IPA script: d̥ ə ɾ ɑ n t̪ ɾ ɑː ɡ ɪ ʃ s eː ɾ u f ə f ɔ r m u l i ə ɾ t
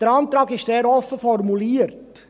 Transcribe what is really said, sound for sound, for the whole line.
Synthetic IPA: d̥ ə ɾ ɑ n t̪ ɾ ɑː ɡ ɪ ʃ s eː ɾ ɔ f ə f ɔ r m u l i ə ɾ t

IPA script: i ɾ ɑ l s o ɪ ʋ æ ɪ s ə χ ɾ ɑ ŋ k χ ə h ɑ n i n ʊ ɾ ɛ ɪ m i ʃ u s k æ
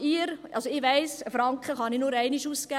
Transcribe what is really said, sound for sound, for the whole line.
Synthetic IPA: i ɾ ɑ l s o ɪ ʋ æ ɪ s ə f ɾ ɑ ŋ k χ ə χ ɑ n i n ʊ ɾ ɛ ɪ n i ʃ u s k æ

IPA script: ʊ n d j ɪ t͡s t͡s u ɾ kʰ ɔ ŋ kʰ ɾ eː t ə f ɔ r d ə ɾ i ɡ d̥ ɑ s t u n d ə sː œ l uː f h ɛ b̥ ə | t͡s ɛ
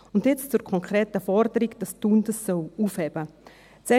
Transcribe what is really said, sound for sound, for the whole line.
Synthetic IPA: ʊ n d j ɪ t͡s t͡s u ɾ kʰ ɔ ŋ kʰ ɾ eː t ə f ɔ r d ə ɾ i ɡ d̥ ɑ s t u n d ə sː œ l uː f h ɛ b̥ ə | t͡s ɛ

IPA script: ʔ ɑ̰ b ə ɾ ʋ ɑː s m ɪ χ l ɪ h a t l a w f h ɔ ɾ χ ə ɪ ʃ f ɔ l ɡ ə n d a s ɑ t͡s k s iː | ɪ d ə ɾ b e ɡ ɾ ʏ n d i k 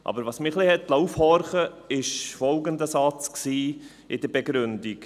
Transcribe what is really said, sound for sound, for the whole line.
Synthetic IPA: ʔ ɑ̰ b ə ɾ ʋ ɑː s m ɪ χ l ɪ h ɛ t l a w f h ɔ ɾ χ ə ɪ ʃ f ɔ l ɡ ə n d ə s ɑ t͡s k s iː | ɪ d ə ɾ b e ɡ ɾ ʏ n d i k

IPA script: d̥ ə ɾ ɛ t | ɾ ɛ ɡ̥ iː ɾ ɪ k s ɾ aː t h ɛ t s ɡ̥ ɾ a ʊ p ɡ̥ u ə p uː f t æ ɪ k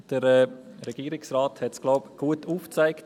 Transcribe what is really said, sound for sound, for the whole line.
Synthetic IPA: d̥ ə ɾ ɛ | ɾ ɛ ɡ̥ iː ɾ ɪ k s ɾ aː t h ɛ t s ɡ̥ l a ʊ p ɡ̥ u ə t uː f t͡s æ ɪ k

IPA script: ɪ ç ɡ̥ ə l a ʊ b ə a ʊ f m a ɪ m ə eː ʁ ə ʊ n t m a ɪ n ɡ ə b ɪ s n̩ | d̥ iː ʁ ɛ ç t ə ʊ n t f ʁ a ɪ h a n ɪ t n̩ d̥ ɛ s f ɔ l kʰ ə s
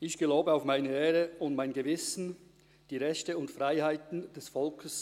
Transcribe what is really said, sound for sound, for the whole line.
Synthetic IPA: ɪ ç ɡ̥ ə l a ʊ b ə a ʊ f m a ɪ n ə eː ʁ ə ʊ n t m a ɪ n ɡ ə v ɪ s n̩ | d̥ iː ʁ ɛ ç t ə ʊ n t f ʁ a ɪ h a ɪ t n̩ d̥ ɛ s f ɔ l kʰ ə s

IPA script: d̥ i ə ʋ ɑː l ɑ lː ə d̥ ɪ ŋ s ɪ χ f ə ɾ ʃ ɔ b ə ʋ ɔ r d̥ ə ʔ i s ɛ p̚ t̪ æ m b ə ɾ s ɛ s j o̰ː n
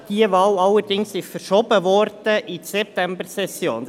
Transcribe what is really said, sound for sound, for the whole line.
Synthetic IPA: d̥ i ə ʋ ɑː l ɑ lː ə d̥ ɪ ŋ s ɪ ʃ f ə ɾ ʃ ɔ b ə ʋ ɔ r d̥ ə ʔ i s ɛ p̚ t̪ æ m b ə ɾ s ɛ s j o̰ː n

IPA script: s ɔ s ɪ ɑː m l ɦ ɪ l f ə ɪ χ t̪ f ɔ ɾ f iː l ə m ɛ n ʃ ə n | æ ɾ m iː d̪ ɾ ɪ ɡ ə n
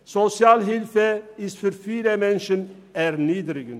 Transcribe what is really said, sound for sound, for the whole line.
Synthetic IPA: s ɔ s ɪ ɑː l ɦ ɪ l f ə ɪ s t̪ f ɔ ɾ f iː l ə m ɛ n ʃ ə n | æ ɾ n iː d̪ ɾ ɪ ɡ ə n

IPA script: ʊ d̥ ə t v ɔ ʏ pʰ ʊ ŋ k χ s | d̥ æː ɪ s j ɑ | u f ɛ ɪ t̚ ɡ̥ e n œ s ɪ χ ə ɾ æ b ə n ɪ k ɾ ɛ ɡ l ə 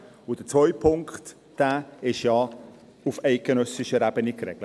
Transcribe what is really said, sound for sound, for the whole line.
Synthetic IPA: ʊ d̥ ə t͡s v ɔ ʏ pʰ ʊ ŋ k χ t | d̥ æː ɪ ʃ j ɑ | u f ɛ ɪ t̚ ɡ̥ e n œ s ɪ ʃ ə ɾ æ b ə n ɪ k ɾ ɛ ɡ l ə

